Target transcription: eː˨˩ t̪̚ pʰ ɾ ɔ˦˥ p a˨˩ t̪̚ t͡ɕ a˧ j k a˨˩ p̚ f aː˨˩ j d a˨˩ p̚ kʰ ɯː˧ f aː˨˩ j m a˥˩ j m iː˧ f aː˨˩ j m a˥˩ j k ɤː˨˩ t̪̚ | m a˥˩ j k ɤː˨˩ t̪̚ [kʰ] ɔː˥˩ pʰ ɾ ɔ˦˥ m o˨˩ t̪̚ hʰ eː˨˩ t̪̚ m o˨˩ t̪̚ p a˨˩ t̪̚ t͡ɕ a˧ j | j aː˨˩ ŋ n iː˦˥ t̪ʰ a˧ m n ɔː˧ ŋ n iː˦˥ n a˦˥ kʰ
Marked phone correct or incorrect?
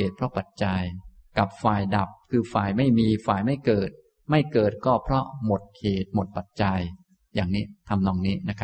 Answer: incorrect